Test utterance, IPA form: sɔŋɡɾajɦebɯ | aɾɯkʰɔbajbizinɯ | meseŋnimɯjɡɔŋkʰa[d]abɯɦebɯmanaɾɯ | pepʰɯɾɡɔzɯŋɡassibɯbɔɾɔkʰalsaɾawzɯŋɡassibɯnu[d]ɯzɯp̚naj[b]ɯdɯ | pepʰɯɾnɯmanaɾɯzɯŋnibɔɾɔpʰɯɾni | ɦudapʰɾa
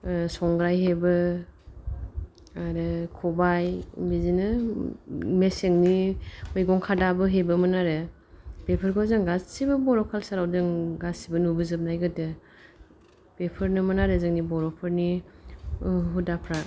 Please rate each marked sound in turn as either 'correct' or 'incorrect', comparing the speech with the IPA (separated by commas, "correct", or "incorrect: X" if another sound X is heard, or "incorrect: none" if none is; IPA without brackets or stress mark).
correct, incorrect: b, incorrect: ɡ